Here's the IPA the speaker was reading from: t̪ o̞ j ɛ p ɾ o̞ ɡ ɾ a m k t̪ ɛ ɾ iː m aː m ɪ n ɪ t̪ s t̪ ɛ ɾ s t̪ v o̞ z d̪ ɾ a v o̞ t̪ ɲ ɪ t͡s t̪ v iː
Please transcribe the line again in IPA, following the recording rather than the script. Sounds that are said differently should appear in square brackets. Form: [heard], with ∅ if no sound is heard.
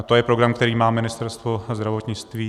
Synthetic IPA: t̪ o̞ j ɛ p ɾ o̞ ɡ ɾ a m k t̪ ɛ ɾ iː m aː m ɪ n ɪ [∅] s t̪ ɛ ɾ s t̪ v o̞ z d̪ ɾ a v o̞ t̪ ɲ ɪ t͡s t̪ v iː